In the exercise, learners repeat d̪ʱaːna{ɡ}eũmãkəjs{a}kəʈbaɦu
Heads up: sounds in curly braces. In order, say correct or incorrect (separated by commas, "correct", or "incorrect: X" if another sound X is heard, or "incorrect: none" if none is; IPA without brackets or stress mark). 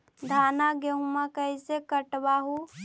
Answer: correct, incorrect: e